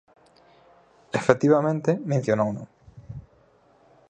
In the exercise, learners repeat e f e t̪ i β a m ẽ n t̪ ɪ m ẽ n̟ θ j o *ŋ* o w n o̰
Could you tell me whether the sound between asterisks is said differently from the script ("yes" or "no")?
yes